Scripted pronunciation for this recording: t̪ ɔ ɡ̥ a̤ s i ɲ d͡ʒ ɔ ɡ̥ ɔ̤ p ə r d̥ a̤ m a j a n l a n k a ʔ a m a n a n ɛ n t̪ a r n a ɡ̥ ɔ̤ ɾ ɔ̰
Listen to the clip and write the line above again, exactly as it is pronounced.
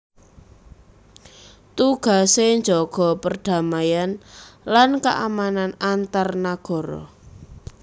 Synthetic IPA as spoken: t̪ u ɡ̥ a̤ s e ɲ d͡ʒ ɔ ɡ̥ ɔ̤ p ə r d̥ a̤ m a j a n l a n k a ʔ a m a n a n a n t̪ a r n a ɡ̥ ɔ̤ ɾ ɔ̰